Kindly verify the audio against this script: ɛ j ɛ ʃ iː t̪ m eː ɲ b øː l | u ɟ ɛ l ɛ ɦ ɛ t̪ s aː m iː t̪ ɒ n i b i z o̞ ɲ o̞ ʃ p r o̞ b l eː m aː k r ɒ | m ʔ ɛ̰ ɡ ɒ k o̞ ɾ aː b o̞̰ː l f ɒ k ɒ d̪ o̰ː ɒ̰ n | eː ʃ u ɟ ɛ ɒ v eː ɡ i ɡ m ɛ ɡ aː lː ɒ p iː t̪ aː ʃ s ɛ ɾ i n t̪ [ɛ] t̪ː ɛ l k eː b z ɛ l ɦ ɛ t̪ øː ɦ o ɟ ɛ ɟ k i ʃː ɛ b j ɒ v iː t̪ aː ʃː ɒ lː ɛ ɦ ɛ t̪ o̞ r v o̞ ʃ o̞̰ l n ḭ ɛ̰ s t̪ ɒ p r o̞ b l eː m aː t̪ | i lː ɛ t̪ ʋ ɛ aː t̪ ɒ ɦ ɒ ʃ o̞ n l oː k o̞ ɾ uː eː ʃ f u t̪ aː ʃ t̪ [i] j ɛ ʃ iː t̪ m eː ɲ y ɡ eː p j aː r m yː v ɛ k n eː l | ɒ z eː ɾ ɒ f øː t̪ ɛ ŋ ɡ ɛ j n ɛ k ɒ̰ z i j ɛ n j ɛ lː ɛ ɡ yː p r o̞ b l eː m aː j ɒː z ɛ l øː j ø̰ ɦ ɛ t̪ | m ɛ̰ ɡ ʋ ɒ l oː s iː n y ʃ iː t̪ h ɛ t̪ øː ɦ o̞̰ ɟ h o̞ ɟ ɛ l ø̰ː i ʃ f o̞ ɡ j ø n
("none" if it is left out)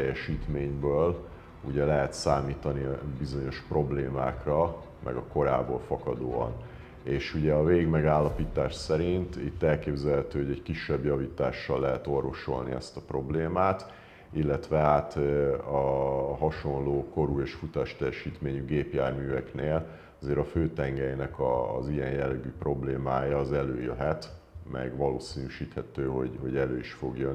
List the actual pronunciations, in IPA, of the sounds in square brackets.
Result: i, ɛ

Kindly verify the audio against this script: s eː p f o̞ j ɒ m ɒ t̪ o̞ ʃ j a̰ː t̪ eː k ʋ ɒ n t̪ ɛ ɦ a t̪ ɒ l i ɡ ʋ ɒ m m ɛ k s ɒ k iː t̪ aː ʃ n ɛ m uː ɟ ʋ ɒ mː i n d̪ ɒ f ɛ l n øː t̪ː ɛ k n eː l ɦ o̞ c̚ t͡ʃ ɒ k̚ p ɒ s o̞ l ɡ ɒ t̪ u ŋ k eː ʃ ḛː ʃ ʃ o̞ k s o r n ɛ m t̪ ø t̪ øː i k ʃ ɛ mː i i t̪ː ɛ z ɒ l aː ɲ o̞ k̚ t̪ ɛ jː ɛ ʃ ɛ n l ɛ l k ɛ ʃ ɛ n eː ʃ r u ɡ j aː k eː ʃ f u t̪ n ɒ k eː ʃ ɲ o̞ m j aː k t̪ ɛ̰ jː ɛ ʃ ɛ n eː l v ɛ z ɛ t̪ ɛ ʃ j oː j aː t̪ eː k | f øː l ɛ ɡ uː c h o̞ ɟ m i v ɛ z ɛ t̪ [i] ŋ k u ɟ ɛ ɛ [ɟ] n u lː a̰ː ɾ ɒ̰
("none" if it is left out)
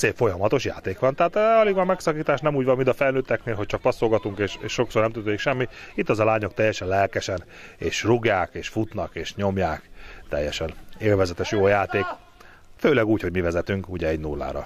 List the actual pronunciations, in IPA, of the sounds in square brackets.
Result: y, ɟ

